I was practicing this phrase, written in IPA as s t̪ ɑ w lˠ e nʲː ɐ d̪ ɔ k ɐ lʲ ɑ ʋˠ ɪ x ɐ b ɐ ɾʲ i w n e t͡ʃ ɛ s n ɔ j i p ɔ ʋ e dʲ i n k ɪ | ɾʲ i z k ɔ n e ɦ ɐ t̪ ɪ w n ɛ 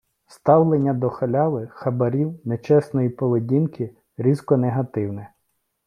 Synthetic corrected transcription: s t̪ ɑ w lˠ e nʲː ɐ d̪ ɔ x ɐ lʲ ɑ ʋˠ ɪ x ɐ b ɐ ɾʲ i w n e t͡ʃ ɛ s n ɔ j i p ɔ ʋ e dʲ i n k ɪ | ɾʲ i z k ɔ n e ɦ ɐ t̪ ɪ w n ɛ